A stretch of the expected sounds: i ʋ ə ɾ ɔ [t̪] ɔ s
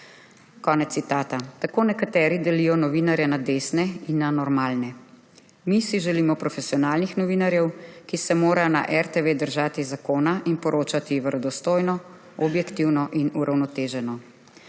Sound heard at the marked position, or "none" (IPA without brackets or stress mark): d̪